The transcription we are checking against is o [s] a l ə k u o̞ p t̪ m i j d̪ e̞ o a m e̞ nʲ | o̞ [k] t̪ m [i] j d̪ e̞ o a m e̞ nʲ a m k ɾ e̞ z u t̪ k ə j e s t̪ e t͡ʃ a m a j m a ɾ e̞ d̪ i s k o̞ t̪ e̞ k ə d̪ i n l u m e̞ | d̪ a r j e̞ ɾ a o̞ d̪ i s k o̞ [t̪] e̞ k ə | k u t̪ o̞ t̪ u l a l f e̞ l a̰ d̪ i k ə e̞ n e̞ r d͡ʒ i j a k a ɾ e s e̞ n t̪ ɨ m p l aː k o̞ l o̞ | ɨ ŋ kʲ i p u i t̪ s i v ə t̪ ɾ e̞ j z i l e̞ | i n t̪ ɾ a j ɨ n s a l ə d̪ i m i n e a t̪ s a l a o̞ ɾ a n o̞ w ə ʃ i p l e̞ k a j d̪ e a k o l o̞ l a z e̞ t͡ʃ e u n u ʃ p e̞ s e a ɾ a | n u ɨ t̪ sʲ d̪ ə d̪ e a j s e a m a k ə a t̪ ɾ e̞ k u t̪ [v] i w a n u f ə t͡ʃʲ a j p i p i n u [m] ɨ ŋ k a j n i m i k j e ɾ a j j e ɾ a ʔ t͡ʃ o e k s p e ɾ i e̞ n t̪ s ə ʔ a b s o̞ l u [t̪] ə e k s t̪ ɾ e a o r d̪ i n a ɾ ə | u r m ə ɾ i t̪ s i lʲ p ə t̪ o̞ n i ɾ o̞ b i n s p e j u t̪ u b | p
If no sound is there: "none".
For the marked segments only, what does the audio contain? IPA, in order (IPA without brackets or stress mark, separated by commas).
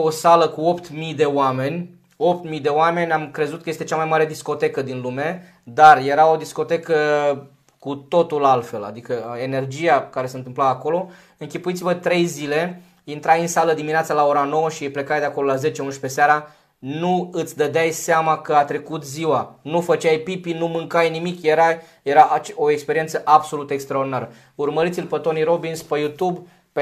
s, p, i, t̪, z, m, t̪